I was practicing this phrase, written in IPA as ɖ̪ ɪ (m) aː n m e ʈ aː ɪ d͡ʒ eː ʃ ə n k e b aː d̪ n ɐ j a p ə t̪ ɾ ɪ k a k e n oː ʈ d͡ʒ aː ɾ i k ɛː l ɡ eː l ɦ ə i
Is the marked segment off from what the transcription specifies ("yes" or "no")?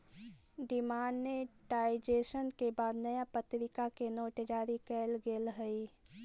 no